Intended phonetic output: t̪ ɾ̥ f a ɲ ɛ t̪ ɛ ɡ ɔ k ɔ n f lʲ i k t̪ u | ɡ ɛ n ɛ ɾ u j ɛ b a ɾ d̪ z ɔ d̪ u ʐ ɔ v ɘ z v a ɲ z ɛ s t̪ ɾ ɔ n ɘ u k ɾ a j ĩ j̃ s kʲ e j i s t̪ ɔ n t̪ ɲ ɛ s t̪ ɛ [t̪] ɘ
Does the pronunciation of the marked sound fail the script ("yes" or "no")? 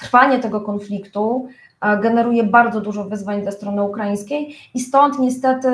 no